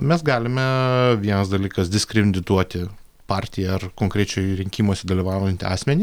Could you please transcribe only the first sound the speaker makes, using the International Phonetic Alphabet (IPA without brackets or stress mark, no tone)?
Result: mʲ